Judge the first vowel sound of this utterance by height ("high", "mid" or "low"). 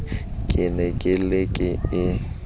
high